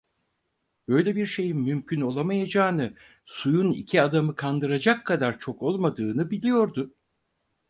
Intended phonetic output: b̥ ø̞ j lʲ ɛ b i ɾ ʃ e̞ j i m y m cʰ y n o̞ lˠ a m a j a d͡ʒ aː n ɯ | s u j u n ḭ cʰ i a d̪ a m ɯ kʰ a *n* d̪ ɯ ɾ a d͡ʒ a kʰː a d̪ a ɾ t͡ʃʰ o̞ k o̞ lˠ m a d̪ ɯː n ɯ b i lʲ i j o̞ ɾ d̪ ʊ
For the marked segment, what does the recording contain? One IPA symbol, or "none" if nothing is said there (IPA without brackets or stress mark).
n